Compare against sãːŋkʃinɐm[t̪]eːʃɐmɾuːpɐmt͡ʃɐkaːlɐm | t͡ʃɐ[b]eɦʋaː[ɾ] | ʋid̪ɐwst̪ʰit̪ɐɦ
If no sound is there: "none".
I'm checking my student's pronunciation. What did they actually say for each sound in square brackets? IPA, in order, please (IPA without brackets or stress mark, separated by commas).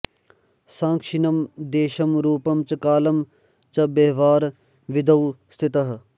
d̪, b, ɾ